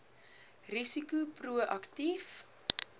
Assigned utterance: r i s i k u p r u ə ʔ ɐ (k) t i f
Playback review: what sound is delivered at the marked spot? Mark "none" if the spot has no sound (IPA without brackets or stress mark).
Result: k